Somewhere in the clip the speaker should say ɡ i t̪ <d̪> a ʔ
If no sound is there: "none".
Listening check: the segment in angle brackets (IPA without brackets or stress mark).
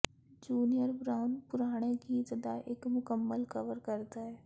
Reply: d̪